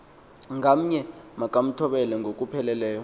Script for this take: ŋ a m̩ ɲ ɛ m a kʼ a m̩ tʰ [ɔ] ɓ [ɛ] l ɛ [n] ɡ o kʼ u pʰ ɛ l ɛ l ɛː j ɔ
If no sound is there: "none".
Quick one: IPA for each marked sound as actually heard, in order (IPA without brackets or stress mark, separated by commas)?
ɔ, ɛ, ŋ